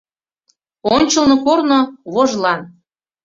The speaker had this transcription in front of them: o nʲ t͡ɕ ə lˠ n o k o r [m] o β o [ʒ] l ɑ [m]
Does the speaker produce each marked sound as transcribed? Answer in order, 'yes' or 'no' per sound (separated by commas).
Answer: no, yes, no